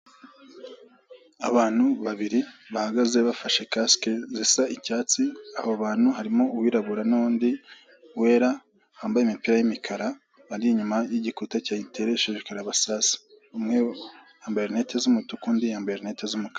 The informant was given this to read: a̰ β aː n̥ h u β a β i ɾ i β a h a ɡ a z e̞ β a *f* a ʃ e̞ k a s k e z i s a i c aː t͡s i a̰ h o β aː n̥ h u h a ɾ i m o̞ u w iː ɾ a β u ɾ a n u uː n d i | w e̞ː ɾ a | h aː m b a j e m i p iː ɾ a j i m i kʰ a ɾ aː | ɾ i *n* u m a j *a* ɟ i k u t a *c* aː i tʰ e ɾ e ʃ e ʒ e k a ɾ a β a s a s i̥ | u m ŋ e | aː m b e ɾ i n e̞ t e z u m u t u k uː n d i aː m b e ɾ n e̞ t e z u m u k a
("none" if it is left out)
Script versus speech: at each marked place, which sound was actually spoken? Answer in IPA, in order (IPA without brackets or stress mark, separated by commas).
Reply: f, ɲ, i, c